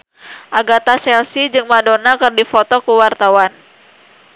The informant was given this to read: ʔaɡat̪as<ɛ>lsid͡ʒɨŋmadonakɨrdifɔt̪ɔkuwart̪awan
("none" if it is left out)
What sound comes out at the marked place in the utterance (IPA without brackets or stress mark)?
ɛ